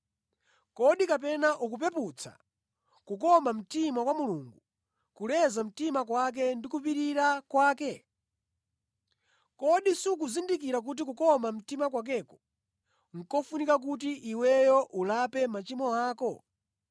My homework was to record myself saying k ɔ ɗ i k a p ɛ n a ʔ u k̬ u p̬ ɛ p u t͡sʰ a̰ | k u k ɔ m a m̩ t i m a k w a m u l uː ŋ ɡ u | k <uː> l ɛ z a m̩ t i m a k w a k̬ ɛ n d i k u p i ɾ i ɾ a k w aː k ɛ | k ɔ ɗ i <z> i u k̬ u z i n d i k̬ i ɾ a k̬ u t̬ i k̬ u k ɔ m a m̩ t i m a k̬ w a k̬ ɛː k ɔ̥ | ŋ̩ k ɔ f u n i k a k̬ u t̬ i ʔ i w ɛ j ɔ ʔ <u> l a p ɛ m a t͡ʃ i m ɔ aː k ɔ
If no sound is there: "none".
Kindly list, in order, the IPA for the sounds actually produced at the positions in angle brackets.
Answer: u, s, u

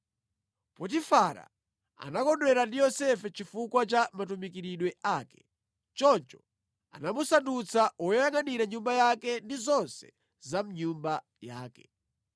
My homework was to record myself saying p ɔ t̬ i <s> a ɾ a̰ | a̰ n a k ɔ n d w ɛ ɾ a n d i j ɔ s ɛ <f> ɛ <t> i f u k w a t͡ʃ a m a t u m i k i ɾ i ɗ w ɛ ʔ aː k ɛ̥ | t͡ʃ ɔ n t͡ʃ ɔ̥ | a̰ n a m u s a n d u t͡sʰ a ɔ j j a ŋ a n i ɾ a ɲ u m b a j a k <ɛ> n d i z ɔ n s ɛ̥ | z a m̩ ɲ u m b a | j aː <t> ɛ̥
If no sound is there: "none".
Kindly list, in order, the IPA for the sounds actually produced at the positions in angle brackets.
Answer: f, f, t͡ʃ, ɛ, k

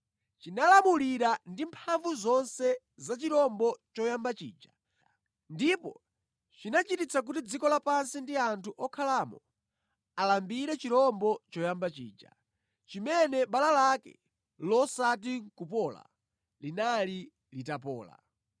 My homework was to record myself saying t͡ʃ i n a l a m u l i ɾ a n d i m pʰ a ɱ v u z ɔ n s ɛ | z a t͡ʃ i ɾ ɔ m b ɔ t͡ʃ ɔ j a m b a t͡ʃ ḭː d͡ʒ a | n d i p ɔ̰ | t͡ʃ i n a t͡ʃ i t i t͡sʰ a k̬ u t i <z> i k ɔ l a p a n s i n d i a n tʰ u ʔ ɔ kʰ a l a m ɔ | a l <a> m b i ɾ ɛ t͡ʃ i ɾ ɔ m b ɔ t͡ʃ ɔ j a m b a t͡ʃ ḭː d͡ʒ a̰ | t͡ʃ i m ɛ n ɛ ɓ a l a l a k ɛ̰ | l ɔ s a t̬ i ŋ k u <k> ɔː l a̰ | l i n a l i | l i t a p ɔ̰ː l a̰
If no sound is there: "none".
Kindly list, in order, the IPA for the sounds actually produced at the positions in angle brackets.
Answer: d͡z, a, p

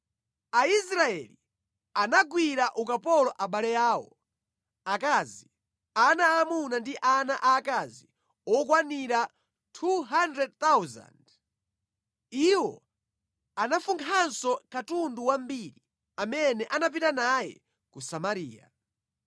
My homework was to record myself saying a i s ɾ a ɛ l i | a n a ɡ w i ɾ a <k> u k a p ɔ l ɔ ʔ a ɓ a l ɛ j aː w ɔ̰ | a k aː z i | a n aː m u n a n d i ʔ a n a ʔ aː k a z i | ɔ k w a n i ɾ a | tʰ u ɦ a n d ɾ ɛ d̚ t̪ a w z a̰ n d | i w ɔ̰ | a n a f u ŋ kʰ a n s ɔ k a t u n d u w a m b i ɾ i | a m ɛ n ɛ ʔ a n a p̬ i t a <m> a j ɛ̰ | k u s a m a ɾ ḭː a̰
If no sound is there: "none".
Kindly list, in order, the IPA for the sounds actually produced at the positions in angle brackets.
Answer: ʔ, n

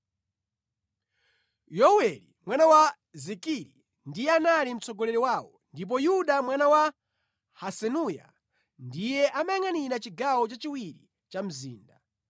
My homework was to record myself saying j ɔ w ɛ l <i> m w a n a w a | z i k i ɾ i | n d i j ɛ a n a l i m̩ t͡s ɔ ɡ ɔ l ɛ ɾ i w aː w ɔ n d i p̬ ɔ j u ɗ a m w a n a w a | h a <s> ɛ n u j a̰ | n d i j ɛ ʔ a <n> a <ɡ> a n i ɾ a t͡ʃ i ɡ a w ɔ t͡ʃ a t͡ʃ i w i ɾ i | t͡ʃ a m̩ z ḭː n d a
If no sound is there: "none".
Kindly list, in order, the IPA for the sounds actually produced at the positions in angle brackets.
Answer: i, s, m, ŋ

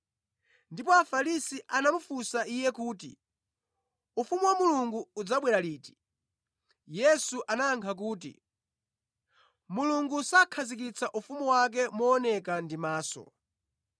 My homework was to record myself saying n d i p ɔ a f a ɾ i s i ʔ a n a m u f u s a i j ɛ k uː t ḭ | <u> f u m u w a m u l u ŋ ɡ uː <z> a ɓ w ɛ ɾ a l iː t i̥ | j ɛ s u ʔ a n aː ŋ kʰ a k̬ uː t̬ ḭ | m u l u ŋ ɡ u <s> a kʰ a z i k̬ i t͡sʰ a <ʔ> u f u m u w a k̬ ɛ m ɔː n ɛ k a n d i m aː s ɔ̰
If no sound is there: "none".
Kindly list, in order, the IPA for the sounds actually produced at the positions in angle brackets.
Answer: u, d͡z, s, ʔ

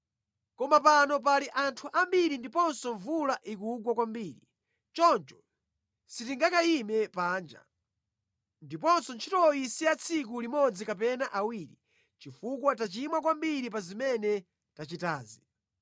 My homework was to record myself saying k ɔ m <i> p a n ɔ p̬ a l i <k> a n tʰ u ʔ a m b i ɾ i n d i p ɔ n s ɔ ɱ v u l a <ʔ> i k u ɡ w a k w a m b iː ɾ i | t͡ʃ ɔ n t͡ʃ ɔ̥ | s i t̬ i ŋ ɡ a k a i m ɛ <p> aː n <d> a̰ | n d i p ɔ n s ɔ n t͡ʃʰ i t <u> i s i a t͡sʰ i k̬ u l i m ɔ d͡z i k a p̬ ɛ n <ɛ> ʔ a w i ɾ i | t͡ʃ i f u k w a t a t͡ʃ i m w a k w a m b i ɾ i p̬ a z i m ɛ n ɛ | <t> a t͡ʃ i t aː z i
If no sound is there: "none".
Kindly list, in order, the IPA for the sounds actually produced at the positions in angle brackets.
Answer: a, ʔ, ʔ, p, d͡ʒ, ɔ, a, t

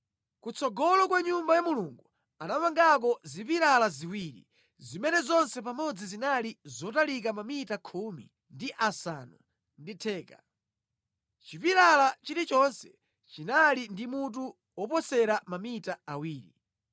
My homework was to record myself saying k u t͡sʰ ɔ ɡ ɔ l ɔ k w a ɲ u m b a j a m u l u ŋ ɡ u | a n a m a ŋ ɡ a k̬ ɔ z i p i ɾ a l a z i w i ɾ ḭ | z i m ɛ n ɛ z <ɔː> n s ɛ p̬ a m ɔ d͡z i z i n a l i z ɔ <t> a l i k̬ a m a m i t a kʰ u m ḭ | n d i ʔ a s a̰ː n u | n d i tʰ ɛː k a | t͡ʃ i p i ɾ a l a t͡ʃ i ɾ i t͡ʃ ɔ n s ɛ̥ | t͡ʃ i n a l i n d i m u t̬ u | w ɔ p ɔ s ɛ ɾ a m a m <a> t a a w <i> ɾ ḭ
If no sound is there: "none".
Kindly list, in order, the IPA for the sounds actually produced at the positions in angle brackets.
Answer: ɔ, t, i, iː

